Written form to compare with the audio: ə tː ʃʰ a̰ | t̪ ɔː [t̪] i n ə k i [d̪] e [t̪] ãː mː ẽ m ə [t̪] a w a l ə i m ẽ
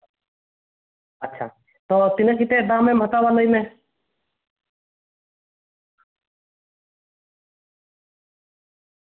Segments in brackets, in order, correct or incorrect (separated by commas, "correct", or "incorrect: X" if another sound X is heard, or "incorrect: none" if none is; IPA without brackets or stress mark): correct, incorrect: t̪, incorrect: d̪, correct